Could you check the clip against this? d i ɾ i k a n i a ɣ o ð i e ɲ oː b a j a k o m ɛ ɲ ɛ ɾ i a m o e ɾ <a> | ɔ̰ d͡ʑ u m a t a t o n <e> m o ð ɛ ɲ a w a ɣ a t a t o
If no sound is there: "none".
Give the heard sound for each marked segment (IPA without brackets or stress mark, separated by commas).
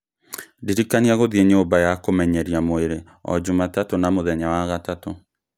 e, a